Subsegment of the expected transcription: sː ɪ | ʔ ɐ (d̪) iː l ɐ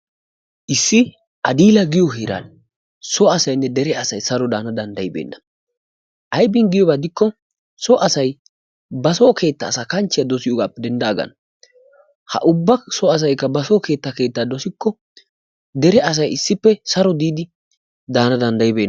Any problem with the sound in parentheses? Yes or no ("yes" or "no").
no